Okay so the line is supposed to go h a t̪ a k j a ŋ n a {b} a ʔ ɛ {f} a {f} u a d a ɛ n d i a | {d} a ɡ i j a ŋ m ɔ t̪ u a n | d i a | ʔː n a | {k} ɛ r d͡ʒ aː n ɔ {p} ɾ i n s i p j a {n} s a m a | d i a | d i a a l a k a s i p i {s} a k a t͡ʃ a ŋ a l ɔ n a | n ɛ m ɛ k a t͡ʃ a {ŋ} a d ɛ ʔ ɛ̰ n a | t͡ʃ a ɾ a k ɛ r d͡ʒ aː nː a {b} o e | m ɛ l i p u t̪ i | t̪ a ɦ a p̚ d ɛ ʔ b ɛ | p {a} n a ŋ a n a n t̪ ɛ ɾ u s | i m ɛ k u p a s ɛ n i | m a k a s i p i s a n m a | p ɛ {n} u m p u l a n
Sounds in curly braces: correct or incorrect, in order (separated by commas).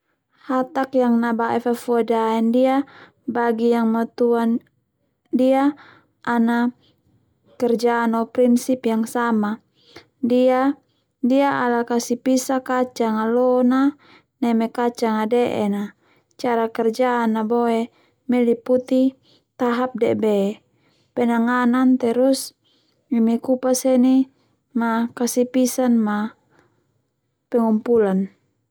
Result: correct, correct, correct, incorrect, correct, correct, incorrect, correct, correct, correct, incorrect, incorrect